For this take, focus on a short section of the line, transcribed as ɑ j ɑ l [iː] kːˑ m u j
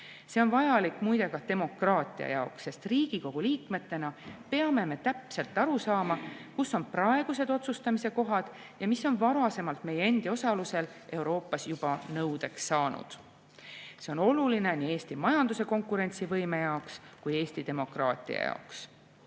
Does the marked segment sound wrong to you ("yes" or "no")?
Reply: yes